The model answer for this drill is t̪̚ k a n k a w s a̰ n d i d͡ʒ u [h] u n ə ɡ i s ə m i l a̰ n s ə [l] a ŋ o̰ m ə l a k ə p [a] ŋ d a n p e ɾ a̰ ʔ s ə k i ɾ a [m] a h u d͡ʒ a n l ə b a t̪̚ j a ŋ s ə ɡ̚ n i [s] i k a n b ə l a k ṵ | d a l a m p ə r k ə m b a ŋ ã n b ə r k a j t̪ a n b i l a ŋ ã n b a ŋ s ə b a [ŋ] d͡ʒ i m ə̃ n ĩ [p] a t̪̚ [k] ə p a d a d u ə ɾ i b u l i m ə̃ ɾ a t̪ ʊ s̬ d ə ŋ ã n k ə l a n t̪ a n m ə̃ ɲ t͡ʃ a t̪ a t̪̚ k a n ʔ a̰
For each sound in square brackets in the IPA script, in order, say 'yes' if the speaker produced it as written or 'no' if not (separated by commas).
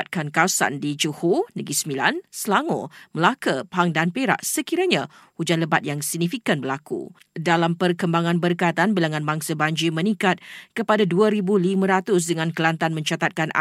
yes, yes, yes, no, no, no, no, yes